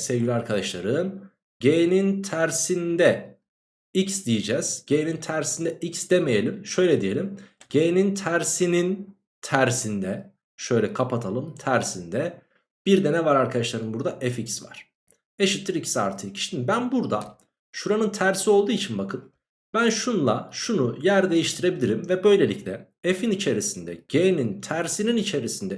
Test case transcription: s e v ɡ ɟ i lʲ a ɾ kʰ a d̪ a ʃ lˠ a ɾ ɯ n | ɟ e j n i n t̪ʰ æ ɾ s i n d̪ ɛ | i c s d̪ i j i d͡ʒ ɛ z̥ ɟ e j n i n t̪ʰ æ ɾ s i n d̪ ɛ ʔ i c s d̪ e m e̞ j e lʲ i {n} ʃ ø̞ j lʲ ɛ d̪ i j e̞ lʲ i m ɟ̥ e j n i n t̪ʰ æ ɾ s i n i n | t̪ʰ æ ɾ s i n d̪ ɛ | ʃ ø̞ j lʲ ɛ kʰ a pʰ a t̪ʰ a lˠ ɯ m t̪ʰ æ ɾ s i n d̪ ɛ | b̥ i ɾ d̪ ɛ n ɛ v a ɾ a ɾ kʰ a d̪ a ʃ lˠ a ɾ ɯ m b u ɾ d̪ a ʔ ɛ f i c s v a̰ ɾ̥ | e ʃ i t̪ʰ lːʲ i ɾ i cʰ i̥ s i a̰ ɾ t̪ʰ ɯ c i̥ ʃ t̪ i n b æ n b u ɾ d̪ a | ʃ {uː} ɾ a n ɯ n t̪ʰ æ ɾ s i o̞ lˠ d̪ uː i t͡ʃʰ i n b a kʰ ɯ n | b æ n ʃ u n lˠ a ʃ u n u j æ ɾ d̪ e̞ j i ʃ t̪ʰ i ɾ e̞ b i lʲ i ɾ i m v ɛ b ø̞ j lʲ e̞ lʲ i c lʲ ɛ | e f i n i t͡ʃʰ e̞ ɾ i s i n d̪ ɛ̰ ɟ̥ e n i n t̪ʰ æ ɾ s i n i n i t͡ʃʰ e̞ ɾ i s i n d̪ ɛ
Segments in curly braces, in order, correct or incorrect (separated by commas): incorrect, incorrect